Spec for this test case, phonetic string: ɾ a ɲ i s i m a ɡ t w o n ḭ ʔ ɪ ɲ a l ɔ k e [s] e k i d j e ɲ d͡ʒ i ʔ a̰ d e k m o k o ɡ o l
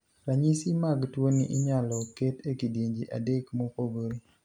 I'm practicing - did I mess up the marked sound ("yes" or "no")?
yes